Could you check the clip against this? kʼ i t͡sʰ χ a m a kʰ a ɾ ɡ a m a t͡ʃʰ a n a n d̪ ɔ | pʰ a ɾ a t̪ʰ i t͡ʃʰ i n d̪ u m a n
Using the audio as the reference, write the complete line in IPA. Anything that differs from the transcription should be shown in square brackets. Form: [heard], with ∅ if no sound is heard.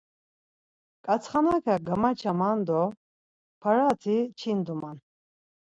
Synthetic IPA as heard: kʼ [a] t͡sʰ χ a [n] a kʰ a [∅] ɡ a m a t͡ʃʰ a [m] a n d̪ ɔ | pʰ a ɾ a t̪ʰ i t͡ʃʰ i n d̪ u m a n